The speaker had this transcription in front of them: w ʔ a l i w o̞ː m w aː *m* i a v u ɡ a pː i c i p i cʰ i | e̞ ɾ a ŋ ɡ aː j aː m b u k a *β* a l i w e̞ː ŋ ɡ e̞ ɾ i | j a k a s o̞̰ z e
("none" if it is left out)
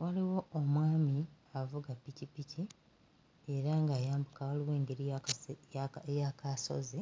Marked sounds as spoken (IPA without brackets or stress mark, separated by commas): m, w